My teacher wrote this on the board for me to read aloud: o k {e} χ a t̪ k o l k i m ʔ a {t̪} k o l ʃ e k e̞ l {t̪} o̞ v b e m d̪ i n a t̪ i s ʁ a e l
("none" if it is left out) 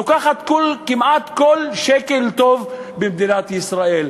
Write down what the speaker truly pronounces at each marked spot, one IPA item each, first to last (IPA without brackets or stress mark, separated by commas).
a, t̪, t̪